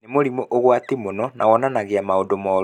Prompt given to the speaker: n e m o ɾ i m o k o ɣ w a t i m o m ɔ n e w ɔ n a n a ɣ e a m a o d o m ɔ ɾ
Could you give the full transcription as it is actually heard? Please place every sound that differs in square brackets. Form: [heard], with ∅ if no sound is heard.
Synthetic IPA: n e m o ɾ i m o [ʔ] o ɣ w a t i m o [n] ɔ n [a] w ɔ n a n a ɣ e a m a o d o m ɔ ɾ